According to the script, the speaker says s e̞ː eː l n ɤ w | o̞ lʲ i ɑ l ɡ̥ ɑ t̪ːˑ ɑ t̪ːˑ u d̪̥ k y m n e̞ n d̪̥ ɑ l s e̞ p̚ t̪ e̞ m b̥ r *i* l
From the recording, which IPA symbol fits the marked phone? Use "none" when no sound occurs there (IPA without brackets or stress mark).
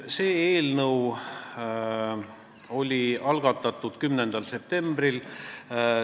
i